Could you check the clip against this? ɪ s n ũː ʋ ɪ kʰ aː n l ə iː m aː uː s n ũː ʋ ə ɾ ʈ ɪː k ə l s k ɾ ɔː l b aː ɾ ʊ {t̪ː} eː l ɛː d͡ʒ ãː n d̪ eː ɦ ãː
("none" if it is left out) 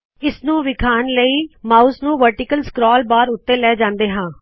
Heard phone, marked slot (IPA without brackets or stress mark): t̪ː